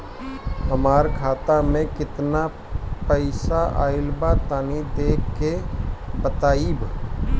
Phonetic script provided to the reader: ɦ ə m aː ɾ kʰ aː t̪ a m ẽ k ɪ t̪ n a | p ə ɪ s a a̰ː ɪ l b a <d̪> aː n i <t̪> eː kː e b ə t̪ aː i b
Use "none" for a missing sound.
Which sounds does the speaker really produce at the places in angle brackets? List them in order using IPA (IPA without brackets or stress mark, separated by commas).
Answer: t̪, d̪